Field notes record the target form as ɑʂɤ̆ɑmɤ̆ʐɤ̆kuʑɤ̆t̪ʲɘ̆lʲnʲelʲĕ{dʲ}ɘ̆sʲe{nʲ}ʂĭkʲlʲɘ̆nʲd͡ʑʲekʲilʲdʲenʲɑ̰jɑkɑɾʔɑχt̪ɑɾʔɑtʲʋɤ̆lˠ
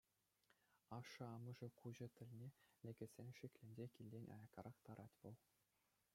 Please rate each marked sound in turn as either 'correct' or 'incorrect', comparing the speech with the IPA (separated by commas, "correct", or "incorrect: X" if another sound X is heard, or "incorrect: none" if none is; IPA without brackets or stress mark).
incorrect: ɡʲ, correct